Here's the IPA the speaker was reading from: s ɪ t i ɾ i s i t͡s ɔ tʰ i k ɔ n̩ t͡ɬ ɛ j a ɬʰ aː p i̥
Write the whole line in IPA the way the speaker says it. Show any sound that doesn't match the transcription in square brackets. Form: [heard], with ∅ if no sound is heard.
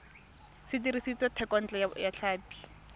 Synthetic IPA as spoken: s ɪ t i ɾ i s i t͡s ɔ tʰ [ɛ] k ɔ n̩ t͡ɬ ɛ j a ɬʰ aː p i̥